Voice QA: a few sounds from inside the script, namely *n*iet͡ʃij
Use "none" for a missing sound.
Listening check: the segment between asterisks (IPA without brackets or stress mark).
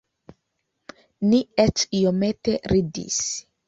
n